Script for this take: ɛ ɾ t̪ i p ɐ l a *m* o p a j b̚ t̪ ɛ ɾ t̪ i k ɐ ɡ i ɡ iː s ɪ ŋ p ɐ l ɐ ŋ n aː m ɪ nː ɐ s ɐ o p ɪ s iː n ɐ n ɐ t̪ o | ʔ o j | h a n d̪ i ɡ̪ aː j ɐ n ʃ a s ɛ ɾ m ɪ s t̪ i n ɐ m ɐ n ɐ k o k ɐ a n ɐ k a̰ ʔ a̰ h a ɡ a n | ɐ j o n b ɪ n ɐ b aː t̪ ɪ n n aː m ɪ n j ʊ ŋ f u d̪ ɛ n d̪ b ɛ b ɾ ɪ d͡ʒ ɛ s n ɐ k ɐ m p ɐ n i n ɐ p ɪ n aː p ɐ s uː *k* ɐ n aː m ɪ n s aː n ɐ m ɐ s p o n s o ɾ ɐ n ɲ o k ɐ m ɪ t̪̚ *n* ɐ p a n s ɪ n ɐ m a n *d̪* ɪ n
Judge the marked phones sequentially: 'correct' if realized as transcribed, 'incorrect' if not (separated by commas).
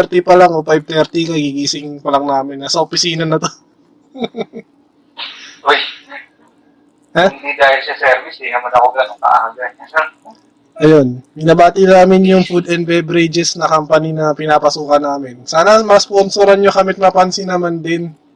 incorrect, correct, incorrect, correct